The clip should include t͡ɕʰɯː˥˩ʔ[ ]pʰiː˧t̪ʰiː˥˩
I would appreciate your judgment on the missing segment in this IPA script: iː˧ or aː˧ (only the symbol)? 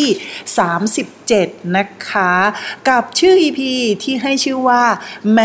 iː˧